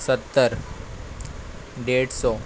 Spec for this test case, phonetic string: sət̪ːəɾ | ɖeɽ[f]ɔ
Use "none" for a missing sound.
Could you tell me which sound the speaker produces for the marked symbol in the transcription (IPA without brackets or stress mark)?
s